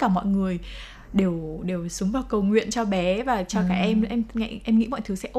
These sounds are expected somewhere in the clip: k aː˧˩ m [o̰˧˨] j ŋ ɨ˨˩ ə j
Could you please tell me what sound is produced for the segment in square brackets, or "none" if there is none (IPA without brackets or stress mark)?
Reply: ɔ̰˧˨